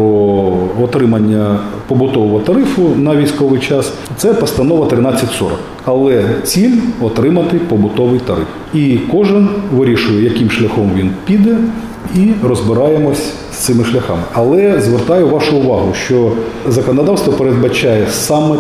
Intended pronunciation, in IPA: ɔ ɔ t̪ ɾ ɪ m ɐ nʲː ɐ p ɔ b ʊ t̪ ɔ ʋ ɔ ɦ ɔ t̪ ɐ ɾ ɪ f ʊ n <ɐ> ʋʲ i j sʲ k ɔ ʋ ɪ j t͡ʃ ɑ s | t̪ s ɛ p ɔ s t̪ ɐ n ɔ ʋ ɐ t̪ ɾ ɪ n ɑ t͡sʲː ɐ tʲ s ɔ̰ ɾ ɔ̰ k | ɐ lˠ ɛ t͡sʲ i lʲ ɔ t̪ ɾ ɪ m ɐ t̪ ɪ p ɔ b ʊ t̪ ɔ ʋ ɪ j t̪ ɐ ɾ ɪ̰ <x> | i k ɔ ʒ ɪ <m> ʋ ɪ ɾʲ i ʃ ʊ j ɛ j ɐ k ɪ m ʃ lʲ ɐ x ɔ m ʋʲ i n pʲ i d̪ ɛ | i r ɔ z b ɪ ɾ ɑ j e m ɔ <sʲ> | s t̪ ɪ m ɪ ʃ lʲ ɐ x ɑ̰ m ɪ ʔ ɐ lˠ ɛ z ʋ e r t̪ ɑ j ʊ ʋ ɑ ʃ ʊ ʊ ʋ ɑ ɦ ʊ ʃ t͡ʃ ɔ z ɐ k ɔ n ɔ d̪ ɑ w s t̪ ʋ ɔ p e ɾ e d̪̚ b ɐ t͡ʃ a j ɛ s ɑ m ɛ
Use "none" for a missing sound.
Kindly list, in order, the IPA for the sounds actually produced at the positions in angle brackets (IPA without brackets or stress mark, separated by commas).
ɐ, f, n, sʲ